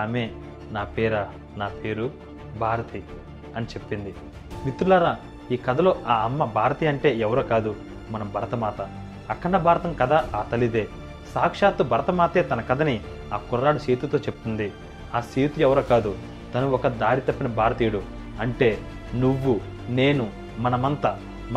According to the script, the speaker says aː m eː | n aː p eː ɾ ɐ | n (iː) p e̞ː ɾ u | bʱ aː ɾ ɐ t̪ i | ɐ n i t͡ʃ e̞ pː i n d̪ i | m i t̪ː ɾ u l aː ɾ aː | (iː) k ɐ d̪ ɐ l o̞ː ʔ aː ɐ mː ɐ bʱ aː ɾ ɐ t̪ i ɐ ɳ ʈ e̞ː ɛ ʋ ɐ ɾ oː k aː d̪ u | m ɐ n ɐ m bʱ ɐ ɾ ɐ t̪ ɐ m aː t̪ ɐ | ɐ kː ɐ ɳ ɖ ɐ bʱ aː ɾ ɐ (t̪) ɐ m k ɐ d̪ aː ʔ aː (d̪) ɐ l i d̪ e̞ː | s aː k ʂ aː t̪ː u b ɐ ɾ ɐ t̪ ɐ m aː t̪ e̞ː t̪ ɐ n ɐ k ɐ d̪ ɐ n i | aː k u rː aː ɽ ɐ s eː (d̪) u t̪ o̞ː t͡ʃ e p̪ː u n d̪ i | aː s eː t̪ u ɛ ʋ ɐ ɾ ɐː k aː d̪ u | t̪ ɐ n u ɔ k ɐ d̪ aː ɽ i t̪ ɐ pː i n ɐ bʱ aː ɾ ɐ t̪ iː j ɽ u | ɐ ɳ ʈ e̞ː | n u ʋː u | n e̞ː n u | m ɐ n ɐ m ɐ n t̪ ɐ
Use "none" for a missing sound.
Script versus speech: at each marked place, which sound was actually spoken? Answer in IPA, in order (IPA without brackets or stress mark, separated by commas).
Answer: aː, iː, t̪, t̪, t̪